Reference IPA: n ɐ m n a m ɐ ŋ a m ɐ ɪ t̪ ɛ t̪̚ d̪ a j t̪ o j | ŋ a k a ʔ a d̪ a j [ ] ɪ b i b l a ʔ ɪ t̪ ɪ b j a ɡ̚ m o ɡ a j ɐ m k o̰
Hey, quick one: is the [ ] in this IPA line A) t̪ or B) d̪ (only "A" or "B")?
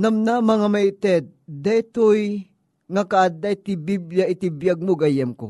A